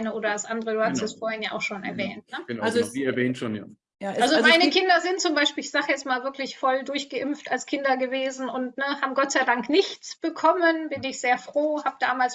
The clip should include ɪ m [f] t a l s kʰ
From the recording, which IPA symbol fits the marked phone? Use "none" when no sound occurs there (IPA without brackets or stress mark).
f